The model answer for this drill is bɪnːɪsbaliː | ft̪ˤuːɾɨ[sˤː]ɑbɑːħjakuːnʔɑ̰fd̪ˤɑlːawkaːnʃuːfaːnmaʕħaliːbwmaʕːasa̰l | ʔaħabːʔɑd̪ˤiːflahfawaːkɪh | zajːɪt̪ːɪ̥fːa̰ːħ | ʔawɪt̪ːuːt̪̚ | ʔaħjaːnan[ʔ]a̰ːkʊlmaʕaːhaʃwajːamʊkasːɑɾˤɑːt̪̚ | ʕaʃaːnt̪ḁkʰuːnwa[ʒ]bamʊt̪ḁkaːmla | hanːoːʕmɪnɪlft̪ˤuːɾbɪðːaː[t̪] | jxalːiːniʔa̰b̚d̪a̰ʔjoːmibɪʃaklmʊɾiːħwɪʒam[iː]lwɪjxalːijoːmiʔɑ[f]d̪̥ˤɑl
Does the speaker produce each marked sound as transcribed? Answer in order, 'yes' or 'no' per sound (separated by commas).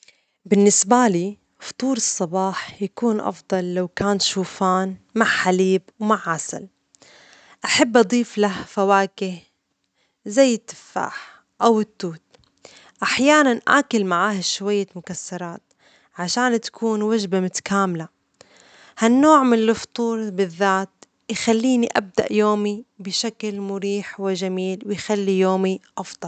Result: yes, yes, yes, yes, yes, yes